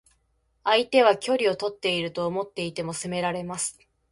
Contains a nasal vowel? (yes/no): no